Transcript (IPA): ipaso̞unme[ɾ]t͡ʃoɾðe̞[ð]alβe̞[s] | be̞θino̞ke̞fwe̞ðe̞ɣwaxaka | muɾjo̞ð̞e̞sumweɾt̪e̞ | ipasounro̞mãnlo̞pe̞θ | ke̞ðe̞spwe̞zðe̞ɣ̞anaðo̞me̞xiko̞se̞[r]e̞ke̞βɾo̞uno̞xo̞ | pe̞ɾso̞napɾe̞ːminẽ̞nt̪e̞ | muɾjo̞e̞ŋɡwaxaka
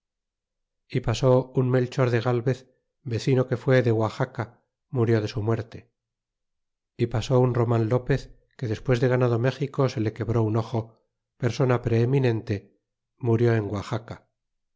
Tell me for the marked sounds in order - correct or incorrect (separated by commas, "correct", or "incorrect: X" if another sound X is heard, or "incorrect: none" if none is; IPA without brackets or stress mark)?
incorrect: l, incorrect: ɣ, incorrect: θ, incorrect: l